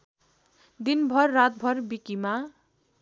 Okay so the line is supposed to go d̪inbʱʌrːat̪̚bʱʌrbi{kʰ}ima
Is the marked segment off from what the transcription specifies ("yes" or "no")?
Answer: yes